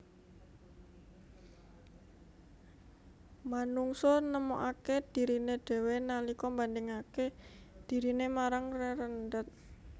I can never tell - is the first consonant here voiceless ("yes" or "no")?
no